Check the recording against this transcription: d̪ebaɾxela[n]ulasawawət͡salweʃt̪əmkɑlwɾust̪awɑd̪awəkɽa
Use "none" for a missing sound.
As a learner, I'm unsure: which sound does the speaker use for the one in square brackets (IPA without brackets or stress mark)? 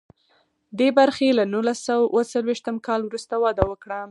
n